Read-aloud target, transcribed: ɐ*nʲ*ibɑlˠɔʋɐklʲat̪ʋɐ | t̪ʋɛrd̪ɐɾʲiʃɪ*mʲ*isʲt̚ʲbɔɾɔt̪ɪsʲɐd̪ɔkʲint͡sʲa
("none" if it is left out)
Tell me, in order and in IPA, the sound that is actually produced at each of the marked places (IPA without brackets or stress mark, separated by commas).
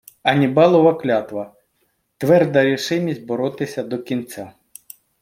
nʲ, mʲ